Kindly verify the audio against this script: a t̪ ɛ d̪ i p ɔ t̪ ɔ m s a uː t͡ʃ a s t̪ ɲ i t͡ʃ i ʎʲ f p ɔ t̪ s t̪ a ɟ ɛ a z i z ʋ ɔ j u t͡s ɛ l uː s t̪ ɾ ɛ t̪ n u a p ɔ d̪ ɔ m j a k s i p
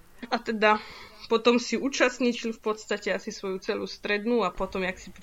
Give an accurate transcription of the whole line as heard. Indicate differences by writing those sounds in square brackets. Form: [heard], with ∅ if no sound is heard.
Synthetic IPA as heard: a t̪ ɛ d̪ [a] p ɔ t̪ ɔ m s [i] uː t͡ʃ a s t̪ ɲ i t͡ʃ i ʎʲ f p ɔ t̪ s t̪ a [c] ɛ a [s] i [s] ʋ ɔ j u t͡s ɛ l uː s t̪ ɾ ɛ [d̪] n u a p ɔ [t̪] ɔ m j a k s i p